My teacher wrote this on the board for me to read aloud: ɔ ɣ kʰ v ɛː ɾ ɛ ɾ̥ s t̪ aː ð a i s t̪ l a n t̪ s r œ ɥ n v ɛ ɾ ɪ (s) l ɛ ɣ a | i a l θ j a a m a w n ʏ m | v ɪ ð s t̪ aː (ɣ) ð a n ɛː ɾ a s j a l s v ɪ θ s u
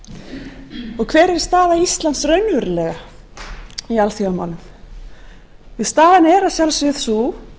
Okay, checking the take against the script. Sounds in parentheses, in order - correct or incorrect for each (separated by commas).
incorrect, incorrect